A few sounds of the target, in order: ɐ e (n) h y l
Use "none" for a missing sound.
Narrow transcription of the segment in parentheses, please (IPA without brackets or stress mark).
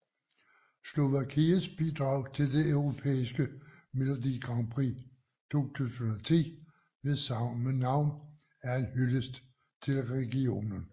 n